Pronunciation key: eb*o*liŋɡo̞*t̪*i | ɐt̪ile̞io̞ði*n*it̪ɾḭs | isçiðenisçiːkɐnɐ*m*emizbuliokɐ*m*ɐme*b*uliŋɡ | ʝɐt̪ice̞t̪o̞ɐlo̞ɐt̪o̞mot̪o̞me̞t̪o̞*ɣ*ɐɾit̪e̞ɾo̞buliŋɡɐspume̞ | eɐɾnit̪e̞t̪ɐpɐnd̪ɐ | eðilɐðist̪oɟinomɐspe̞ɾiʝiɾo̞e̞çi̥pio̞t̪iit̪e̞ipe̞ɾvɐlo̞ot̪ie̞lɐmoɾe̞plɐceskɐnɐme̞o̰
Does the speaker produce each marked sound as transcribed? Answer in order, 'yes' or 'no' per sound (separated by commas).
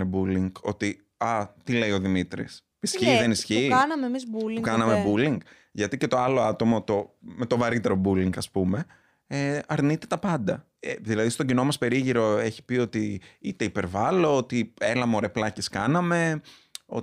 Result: no, yes, no, yes, no, yes, no